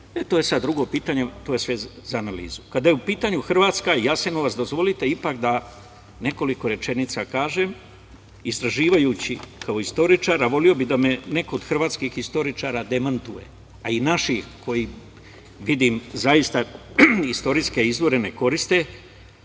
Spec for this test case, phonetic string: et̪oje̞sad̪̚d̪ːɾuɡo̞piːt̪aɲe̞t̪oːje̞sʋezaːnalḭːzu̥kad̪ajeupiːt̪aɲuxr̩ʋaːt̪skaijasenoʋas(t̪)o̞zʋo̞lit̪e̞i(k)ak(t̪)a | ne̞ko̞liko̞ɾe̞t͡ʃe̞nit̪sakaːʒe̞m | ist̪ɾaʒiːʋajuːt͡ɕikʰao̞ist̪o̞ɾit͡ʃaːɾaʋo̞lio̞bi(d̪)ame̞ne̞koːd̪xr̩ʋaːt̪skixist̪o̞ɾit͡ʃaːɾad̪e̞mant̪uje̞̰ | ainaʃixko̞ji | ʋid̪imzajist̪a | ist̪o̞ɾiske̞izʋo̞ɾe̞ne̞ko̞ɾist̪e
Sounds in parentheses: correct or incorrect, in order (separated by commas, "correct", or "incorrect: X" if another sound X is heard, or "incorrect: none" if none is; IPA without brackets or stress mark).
incorrect: d̪, incorrect: p, incorrect: d̪, correct